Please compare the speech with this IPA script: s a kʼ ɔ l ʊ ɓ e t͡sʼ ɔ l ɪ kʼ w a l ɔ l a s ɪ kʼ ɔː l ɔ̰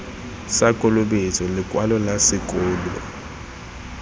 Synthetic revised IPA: s a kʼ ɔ l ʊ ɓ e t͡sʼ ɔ l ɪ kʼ w a l ɔ l a s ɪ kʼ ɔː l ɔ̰